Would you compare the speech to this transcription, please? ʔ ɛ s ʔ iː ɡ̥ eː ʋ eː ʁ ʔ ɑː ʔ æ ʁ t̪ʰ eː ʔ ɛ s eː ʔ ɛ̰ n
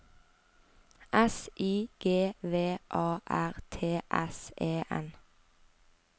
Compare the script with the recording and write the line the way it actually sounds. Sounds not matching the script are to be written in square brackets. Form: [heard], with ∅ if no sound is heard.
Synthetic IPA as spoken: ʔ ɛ s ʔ iː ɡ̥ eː ʋ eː [∅] ʔ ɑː ʔ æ ʁ t̪ʰ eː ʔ ɛ s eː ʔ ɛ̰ n